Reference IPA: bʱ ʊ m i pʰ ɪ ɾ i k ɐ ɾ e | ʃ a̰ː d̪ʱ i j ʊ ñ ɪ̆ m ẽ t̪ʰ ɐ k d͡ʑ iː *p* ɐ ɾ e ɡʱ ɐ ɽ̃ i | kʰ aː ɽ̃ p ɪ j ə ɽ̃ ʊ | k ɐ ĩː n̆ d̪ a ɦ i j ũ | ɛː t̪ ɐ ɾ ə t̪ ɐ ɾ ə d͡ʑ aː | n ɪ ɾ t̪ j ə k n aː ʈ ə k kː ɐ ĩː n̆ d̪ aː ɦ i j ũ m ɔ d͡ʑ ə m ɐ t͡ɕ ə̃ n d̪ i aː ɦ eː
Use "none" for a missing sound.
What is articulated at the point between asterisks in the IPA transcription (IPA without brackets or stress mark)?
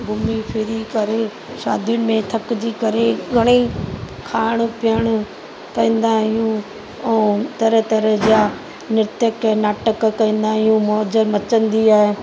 k